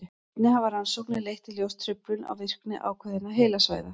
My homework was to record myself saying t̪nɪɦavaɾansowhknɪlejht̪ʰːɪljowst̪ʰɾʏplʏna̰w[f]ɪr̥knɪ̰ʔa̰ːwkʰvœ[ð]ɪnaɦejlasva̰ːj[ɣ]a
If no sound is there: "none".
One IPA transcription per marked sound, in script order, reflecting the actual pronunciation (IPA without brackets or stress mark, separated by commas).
v, ð, ð